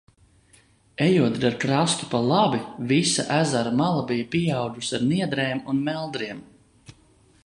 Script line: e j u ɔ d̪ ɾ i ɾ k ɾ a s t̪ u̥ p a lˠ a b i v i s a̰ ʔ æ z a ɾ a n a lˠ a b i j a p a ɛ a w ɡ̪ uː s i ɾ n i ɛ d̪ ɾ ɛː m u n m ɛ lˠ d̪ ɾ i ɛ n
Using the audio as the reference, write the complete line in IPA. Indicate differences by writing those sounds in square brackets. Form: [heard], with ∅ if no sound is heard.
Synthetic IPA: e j u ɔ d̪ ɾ [a] ɾ k ɾ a s t̪ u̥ p a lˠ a b i v i s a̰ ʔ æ z a ɾ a [m] a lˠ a b i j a p [i] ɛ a w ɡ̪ [u] s [a] ɾ n i ɛ d̪ ɾ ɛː m u n m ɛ lˠ d̪ ɾ i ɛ [m]

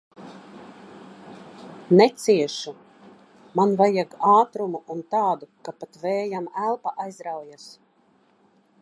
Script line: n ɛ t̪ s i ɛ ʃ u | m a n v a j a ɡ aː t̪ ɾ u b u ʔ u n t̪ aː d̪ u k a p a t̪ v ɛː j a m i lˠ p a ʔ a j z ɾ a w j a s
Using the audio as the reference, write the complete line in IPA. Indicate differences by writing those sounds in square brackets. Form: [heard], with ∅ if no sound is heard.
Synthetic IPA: n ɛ t̪ s i ɛ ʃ u | m a n v a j a ɡ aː t̪ ɾ u [m] u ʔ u n t̪ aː d̪ u k a p a t̪ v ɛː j a m [æ] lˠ p a ʔ a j z ɾ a w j a s

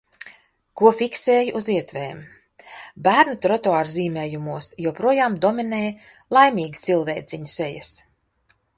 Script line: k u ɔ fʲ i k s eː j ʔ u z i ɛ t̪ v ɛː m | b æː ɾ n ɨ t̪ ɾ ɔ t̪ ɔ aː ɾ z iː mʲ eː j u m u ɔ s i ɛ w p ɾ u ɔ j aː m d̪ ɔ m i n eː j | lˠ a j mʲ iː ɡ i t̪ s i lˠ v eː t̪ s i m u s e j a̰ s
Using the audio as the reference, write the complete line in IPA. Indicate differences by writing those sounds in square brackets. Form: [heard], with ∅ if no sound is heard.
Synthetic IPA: k u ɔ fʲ i k s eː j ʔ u z i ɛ t̪ v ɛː m | b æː ɾ n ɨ t̪ ɾ ɔ t̪ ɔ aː ɾ z iː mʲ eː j u m u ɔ s [j] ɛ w p ɾ u ɔ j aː m d̪ ɔ m i n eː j | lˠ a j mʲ iː ɡ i t̪ s i lˠ v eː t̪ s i [ɲ] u s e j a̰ s

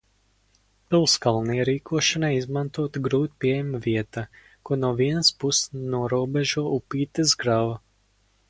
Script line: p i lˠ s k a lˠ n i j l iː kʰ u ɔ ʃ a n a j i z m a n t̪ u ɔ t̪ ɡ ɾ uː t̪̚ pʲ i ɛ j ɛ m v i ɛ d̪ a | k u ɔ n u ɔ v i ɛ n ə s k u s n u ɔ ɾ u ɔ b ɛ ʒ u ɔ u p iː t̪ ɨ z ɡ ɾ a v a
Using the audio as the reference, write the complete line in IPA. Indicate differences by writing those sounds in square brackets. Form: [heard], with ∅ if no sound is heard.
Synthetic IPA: p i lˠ s k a lˠ n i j [ɾ] iː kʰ u ɔ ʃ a n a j i z m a n t̪ u ɔ t̪ ɡ ɾ uː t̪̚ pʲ i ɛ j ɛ m v i ɛ [t̪] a | k u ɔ n u ɔ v i ɛ n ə s [p] u s n u ɔ ɾ u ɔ b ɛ ʒ u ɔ u p iː t̪ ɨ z ɡ ɾ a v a

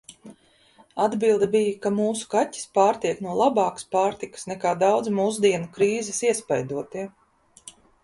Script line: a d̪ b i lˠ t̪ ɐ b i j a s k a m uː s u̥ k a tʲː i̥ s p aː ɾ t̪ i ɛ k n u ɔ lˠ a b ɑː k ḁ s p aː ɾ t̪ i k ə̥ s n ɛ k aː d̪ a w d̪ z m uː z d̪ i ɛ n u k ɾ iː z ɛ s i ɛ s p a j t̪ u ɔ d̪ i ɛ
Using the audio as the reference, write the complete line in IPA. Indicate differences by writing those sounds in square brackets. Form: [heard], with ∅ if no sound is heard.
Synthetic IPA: a d̪ b i lˠ [d̪] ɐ b i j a [∅] k a m uː s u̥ k a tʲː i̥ s p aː ɾ t̪ i ɛ k n u ɔ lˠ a b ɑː k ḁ s p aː ɾ t̪ i k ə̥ s n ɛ k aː d̪ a w d̪ z m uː z d̪ i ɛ n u k ɾ iː z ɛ s i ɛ s p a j [d̪] u ɔ [t̪] i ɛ

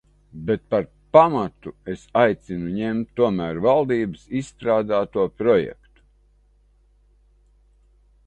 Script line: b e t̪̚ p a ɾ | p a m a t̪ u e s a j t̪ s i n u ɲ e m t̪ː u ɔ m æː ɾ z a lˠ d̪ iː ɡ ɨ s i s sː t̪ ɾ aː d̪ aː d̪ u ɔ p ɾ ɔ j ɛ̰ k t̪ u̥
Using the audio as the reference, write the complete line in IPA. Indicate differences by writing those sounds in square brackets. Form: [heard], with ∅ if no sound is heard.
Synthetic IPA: b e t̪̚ p a ɾ | p a m a t̪ u e s a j t̪ s i n u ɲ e m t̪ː u ɔ m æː ɾ [v] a lˠ d̪ iː [b] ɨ s i s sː t̪ ɾ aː d̪ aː [t̪] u ɔ p ɾ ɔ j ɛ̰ k t̪ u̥

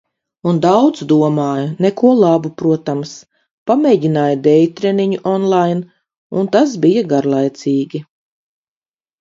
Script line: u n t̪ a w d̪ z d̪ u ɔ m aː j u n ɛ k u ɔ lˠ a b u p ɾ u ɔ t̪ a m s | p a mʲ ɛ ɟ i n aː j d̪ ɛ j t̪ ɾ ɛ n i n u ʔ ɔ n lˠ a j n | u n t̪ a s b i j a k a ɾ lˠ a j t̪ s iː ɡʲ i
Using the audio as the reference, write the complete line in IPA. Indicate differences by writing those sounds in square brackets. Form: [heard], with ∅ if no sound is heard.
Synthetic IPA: u n [d̪] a w d̪ z d̪ u ɔ m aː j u n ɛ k u ɔ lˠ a b u p ɾ u ɔ t̪ a m s | p a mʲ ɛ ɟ i n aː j d̪ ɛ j t̪ ɾ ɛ n i [ɲ] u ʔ ɔ n lˠ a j n | u n t̪ a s b i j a [ɡ] a ɾ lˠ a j t̪ s iː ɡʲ i

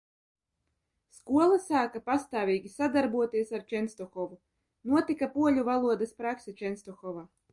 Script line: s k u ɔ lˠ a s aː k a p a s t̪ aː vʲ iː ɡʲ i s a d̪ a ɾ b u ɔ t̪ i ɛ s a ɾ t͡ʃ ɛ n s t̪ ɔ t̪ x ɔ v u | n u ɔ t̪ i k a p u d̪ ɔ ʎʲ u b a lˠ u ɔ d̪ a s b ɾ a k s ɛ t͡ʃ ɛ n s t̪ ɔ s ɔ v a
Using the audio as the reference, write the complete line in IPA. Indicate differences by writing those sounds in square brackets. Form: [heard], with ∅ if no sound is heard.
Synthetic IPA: s k u ɔ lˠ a s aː k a p a s t̪ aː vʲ iː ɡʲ i s a d̪ a ɾ b u ɔ t̪ i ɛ s a ɾ t͡ʃ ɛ n s t̪ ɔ [∅] x ɔ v u | n u ɔ t̪ i k a p u [∅] ɔ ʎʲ u [v] a lˠ u ɔ d̪ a s [p] ɾ a k s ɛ t͡ʃ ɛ n s t̪ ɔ [x] ɔ v a

